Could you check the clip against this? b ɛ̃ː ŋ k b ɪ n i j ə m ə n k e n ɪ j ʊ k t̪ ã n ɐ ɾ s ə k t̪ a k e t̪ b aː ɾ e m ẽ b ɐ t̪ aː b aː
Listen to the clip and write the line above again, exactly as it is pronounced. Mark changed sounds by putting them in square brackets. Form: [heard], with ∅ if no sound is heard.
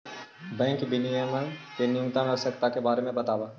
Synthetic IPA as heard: b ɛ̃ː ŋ k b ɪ n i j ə m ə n k e n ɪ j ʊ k t̪ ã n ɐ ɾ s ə k t̪ a k e [∅] b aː ɾ e m ẽ b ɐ t̪ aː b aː